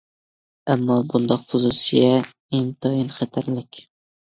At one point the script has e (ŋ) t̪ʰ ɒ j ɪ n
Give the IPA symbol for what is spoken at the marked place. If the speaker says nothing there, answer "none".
ŋ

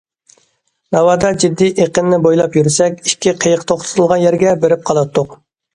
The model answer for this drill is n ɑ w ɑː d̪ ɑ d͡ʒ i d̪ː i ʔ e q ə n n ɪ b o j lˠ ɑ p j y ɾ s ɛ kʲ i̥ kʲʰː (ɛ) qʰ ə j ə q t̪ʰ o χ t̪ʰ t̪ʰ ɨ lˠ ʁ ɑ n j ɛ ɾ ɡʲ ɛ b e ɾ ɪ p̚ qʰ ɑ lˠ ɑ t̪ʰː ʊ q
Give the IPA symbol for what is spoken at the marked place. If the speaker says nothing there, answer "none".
i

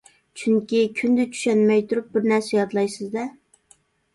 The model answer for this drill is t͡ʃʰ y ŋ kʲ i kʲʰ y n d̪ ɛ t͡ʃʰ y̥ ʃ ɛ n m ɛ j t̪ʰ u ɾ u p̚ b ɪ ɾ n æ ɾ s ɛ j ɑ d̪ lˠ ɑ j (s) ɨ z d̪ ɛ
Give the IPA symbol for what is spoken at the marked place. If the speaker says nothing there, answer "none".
s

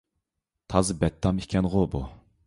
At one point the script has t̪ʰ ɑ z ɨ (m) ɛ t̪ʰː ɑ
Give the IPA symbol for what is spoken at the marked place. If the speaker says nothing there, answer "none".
b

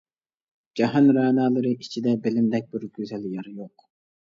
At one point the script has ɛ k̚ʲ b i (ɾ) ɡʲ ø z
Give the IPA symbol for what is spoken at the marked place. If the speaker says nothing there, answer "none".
ɾ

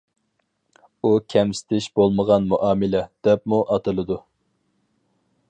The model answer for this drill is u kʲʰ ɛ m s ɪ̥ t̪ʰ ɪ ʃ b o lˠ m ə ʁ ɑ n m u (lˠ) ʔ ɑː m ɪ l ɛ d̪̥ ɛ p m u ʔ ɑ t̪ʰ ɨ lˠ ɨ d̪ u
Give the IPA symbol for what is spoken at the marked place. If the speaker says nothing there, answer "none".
none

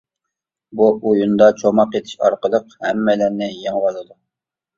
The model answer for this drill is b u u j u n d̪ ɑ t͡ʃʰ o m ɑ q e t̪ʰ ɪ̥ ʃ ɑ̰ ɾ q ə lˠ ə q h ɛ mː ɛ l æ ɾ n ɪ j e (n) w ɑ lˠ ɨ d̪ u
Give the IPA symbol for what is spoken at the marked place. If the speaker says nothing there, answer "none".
ŋ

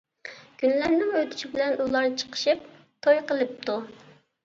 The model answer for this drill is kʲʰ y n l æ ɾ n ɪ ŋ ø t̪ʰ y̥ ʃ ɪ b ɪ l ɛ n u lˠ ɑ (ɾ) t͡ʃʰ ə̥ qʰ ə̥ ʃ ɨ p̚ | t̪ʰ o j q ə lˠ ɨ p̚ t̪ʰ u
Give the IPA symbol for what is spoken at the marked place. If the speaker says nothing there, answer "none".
ɾ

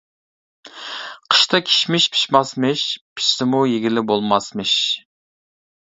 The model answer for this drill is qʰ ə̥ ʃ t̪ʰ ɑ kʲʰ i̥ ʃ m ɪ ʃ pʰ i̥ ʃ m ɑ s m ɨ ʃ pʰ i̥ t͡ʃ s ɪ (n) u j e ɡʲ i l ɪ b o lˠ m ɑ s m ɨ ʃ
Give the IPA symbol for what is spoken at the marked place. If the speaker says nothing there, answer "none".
m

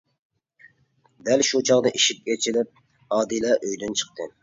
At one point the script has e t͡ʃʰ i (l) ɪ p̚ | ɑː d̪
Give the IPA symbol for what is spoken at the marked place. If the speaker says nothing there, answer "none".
l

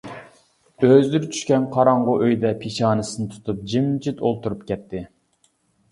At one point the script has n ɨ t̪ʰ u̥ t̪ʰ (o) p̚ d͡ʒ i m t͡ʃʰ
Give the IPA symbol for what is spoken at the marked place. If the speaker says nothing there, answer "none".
u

